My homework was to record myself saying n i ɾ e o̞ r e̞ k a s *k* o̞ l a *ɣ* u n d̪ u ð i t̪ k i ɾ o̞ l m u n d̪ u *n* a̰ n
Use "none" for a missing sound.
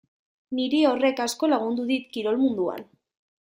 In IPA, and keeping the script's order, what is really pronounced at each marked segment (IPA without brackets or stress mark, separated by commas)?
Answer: k, ɣ, none